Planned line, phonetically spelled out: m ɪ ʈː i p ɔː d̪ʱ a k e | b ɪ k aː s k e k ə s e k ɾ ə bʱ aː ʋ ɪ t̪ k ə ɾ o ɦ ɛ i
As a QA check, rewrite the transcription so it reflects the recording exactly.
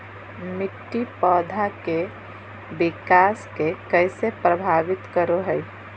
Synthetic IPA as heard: m ɪ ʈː i p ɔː d̪ʱ a k e | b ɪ k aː s k e k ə s e p ɾ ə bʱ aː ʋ ɪ t̪ k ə ɾ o ɦ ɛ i